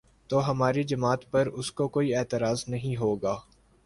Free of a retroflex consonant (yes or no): yes